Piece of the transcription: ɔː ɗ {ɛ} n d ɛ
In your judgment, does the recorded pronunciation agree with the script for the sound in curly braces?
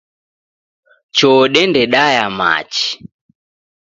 yes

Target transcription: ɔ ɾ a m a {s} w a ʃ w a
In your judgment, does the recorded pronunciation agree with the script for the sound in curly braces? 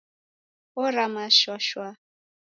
no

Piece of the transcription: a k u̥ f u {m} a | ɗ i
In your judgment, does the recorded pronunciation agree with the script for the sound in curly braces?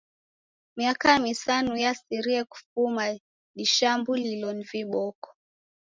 yes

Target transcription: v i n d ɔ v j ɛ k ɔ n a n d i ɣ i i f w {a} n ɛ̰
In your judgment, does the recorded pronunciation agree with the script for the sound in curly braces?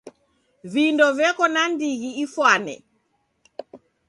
yes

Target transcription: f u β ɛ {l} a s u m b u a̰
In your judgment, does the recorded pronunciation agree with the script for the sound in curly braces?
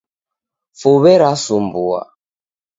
no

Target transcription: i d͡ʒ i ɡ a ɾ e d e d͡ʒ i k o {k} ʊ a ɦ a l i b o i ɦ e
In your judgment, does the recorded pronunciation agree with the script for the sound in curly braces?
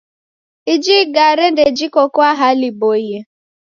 yes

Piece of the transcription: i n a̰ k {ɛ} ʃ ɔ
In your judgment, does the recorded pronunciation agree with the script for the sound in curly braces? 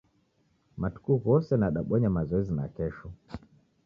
yes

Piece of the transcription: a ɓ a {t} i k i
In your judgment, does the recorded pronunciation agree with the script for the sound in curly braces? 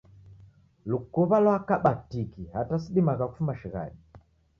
yes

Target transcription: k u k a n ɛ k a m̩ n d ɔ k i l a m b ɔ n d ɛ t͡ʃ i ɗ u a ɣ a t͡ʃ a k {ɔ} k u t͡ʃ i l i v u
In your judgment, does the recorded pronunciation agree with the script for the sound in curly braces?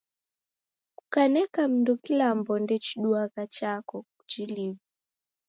yes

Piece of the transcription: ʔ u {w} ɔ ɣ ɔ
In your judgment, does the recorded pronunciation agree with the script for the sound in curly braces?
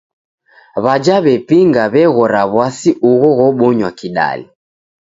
no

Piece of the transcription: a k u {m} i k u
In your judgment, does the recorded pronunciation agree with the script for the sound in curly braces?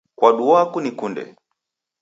no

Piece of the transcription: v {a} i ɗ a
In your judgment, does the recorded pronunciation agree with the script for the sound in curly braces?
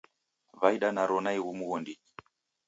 yes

